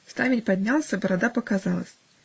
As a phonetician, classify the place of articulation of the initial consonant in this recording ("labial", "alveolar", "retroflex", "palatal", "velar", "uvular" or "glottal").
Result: alveolar